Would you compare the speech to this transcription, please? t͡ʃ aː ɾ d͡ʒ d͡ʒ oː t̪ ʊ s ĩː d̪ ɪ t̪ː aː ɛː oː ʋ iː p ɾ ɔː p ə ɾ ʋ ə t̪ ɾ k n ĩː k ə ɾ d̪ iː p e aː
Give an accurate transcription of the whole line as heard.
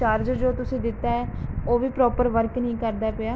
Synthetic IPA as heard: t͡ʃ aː ɾ d͡ʒ d͡ʒ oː t̪ ʊ s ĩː d̪ ɪ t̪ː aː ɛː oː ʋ iː p ɾ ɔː p ə ɾ ʋ ə ɾ k n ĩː k ə ɾ d̪ aː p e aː